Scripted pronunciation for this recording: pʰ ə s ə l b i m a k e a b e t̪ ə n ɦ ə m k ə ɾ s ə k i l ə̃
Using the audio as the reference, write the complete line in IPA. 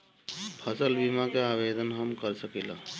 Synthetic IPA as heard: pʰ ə s ə l b i m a k e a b e d̪ ə n ɦ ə m k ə ɾ s ə k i l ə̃